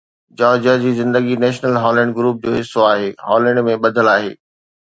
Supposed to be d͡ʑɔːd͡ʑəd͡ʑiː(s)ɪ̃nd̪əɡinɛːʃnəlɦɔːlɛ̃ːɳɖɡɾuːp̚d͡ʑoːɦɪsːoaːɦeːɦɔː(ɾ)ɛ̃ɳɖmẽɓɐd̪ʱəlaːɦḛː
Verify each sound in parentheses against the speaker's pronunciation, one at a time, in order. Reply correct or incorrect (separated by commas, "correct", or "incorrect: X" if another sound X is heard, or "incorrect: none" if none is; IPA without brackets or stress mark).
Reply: incorrect: z, incorrect: l